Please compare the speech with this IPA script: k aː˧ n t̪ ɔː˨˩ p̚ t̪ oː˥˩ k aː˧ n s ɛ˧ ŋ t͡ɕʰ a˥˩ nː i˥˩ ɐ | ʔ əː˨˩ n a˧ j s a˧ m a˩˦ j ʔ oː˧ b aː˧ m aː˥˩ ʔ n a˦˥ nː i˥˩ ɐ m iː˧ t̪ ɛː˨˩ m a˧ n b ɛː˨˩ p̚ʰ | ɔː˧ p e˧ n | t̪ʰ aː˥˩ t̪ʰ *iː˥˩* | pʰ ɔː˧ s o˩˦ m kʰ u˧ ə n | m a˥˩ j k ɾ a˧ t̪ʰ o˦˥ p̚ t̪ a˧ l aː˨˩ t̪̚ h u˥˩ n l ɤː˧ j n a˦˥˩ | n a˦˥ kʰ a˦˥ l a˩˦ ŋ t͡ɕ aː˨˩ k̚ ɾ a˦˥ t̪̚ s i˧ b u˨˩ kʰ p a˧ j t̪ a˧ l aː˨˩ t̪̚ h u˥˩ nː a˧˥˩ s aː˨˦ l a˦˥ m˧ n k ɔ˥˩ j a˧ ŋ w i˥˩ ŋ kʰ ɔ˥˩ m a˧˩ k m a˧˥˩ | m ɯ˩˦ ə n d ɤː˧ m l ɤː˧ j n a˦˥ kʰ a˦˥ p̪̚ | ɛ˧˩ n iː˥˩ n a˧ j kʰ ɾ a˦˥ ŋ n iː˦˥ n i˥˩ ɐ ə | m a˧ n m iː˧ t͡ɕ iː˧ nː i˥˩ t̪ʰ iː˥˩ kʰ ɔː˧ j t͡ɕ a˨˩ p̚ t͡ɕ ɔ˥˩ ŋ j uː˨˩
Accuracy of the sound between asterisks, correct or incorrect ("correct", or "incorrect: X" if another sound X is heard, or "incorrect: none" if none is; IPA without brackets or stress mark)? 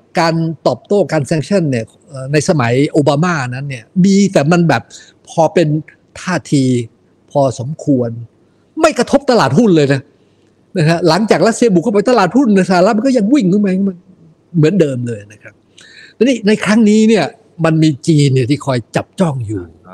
incorrect: iː˧